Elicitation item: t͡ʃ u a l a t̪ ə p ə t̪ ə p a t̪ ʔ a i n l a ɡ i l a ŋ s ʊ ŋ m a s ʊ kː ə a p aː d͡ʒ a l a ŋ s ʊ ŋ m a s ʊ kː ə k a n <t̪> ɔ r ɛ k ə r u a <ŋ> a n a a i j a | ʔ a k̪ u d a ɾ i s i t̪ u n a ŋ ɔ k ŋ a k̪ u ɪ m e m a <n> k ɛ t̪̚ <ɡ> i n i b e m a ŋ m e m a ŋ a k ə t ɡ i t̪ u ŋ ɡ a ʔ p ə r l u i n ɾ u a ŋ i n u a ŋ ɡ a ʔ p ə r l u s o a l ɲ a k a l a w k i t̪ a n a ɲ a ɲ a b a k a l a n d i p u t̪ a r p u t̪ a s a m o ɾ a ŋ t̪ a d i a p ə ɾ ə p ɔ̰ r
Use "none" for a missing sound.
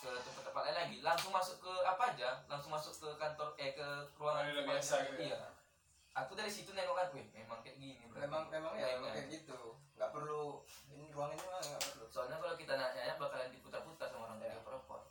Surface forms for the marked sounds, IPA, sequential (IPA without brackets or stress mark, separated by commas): t̪, ŋ, ŋ, ɡ